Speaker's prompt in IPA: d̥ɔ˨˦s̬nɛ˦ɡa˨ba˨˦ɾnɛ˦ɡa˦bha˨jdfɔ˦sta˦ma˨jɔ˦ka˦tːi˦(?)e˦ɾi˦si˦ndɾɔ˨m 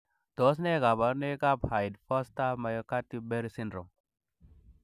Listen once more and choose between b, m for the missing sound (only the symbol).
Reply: b